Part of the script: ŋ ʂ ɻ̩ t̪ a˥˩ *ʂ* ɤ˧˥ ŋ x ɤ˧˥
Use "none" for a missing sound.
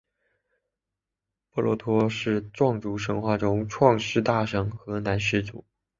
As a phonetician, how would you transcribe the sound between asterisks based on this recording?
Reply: ʂ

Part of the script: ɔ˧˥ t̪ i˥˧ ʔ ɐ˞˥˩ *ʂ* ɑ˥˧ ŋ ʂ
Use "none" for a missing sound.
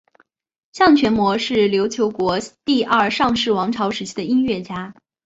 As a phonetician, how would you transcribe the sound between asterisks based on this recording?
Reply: ʂ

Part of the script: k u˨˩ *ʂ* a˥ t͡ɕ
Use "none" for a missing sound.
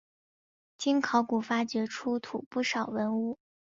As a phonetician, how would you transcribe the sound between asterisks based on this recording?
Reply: f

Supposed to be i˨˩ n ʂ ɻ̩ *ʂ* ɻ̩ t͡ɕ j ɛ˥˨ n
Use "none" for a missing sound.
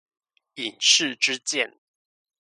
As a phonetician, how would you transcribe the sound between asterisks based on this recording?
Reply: ʈ͡ʂ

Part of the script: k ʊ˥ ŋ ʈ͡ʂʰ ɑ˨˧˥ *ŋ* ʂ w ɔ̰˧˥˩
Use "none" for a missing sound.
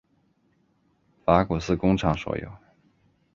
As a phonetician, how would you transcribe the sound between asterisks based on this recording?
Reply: ŋ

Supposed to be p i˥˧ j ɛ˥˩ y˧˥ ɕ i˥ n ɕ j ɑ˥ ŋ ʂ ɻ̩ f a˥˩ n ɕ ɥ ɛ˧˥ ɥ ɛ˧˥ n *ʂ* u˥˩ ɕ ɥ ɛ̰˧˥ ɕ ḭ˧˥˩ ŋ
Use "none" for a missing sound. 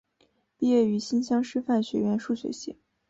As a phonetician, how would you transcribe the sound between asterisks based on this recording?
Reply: ʂ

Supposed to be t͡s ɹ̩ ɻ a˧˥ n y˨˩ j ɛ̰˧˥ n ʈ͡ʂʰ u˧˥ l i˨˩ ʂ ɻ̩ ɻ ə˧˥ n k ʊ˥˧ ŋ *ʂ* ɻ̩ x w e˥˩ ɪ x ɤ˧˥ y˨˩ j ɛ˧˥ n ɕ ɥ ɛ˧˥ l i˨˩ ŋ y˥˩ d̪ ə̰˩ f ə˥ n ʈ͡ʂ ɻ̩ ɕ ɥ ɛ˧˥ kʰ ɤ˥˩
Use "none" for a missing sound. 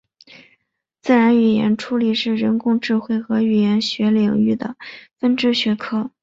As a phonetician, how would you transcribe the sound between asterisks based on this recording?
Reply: ʈ͡ʂ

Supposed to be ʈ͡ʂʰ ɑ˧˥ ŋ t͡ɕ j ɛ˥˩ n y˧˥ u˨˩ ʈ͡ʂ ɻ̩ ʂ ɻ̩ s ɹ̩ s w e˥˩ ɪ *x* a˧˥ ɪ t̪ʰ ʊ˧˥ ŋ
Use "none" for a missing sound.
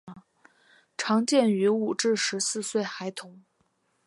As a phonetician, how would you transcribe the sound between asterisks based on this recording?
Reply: x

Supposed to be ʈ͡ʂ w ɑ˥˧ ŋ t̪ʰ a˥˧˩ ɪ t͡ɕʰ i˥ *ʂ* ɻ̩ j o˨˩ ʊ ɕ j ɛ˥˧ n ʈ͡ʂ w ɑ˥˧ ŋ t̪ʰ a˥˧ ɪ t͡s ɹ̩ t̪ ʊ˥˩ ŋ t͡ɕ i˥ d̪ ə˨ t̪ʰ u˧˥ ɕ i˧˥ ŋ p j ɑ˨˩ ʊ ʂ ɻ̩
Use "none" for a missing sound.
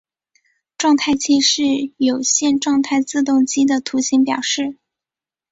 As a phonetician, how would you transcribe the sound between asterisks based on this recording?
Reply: ʂ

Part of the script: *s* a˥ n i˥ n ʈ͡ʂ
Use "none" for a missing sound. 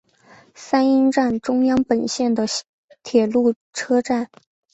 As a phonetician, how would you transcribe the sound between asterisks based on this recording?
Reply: s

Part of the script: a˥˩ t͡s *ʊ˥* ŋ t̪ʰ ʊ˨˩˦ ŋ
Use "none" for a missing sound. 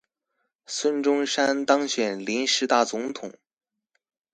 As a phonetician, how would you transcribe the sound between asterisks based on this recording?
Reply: ʊ˧˥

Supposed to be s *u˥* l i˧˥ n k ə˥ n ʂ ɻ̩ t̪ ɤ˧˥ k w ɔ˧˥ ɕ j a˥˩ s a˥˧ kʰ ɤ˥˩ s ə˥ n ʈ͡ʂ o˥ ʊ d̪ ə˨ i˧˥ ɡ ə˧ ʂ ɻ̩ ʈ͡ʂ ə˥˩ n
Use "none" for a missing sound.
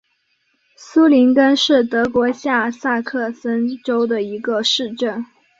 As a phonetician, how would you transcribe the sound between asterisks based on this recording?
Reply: u˥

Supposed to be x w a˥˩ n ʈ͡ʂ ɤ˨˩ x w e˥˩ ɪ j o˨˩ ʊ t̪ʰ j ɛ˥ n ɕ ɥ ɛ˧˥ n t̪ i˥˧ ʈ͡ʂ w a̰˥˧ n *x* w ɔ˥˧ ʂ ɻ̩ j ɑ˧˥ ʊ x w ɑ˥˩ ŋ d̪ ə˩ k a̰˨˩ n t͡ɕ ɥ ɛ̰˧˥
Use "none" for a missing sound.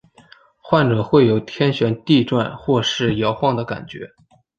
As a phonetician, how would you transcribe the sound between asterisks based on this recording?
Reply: x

